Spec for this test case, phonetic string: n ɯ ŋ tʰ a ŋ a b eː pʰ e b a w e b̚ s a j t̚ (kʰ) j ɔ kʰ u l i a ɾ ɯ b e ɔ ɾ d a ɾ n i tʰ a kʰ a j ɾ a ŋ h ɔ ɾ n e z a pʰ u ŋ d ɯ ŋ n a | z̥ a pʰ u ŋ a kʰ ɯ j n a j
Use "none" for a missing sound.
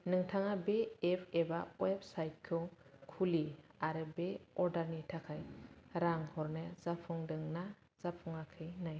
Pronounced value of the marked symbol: kʰ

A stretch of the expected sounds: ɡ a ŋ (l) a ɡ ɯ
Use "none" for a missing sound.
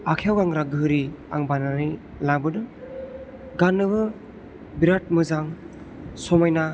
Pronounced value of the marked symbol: ɾ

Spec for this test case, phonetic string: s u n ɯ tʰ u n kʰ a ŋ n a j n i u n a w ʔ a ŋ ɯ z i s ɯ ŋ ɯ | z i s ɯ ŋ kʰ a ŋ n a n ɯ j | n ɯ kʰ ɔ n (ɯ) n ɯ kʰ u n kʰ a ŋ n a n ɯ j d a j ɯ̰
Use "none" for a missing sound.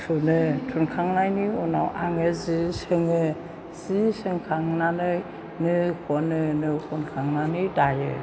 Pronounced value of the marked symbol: ɯ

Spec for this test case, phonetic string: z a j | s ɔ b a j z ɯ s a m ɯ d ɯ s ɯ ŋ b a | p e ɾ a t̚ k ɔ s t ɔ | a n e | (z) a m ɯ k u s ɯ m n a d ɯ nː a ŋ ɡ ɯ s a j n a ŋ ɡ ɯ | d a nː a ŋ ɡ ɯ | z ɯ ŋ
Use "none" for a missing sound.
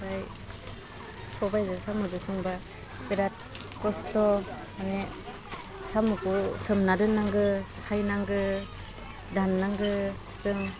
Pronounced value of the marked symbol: s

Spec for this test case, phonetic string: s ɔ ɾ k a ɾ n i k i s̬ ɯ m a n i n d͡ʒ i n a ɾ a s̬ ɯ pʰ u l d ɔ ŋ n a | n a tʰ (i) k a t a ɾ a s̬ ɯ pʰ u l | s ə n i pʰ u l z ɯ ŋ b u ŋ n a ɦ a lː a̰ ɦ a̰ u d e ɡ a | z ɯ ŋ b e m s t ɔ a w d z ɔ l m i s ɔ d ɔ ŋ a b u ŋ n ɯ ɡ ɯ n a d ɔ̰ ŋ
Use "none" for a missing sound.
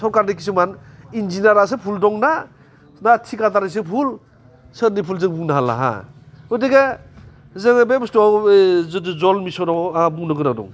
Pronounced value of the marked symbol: i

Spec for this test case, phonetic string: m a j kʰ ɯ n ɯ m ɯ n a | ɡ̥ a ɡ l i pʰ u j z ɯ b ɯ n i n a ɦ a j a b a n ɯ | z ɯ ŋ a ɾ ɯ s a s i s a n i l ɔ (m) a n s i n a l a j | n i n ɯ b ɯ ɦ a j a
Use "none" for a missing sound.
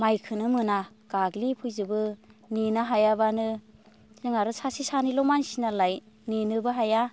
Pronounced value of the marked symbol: m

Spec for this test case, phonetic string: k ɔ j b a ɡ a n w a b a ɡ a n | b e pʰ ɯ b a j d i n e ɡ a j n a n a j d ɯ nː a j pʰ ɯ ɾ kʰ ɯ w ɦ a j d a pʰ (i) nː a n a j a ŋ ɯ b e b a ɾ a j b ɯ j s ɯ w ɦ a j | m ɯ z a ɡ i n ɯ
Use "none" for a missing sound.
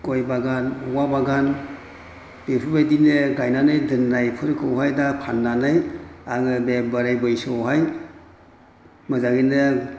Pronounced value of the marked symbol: a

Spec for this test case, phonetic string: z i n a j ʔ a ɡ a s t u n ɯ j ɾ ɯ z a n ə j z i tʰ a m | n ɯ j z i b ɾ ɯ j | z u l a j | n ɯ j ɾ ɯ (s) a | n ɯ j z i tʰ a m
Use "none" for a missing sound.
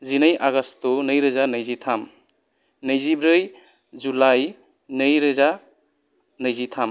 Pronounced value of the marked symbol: z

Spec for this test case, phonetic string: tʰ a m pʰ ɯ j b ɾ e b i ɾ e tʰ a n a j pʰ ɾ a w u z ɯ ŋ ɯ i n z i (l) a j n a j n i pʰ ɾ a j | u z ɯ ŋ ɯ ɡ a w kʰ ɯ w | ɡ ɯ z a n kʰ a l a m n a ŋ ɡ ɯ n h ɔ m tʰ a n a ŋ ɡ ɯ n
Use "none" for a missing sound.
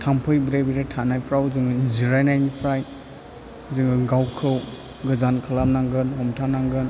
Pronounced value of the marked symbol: ɾ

